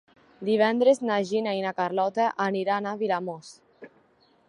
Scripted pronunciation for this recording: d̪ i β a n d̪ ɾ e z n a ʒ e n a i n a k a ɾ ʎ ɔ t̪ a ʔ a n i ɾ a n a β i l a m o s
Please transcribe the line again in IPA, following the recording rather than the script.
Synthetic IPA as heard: d̪ i β ɛ n d̪ ɾ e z n a ʒ i n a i n a k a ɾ l ɔ t̪ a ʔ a n i ɾ a n a β i l a m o s